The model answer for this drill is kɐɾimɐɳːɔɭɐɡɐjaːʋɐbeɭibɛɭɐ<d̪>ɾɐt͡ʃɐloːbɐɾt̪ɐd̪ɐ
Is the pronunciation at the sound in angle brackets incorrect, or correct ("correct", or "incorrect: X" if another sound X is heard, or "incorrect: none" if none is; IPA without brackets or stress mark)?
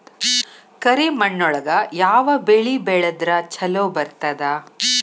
correct